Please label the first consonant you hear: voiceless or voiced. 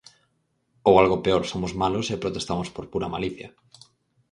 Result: voiced